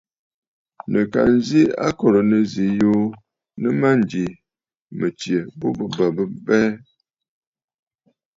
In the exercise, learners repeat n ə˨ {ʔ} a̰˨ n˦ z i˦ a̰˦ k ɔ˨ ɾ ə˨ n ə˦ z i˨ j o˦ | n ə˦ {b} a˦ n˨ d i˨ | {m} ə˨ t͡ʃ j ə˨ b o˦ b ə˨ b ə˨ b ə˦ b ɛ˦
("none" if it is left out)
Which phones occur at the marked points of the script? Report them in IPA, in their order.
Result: k, m, m

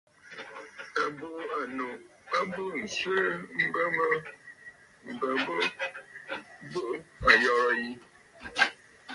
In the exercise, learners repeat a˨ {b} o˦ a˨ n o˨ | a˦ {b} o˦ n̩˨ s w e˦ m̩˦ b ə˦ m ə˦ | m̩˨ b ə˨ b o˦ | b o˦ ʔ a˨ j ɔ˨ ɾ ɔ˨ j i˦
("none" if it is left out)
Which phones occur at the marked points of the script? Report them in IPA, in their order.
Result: b, b

